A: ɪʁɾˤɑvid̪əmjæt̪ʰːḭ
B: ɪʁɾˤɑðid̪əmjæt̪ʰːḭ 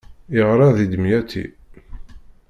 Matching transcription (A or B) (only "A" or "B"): B